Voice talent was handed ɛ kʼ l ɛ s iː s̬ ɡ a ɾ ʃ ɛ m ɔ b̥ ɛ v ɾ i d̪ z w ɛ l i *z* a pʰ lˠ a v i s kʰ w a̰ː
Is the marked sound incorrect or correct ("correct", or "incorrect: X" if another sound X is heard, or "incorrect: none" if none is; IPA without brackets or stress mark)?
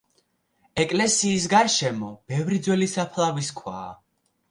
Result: incorrect: s